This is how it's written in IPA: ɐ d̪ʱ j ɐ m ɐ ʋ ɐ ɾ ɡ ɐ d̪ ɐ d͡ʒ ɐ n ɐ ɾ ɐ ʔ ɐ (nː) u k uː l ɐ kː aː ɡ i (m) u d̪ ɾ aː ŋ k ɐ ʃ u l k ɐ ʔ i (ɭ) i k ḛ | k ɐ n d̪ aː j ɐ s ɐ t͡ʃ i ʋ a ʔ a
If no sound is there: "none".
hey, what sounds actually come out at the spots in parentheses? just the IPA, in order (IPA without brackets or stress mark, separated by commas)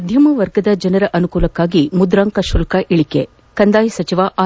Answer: n, m, ɭ